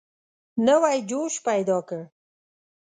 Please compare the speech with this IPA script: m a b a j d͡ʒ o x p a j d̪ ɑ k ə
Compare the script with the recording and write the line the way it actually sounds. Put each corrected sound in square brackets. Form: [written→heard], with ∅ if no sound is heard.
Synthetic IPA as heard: [m→n] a [b→w] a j d͡ʒ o [x→ʃ] p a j d̪ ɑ k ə